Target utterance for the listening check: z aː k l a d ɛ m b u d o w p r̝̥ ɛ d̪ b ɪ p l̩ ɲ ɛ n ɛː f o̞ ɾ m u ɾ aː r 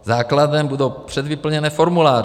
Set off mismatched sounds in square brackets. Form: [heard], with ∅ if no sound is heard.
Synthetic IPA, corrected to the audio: z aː k l a d ɛ m b u d o w p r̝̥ ɛ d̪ [v] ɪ p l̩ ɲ ɛ n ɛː f o̞ ɾ m u [l] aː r